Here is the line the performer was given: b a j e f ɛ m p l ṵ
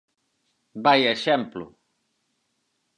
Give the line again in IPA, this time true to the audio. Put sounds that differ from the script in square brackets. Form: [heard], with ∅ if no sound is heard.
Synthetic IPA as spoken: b a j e [ʃ] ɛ m p l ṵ